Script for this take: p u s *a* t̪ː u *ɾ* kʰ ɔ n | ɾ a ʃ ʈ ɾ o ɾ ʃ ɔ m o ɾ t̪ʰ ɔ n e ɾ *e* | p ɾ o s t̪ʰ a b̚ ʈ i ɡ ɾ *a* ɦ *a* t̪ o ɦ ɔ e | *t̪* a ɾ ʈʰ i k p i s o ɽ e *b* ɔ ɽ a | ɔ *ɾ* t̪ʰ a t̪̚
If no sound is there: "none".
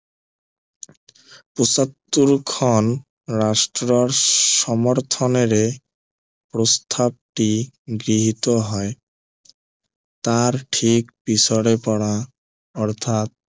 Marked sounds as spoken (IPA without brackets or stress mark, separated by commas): a, ɾ, e, i, i, t̪, p, ɾ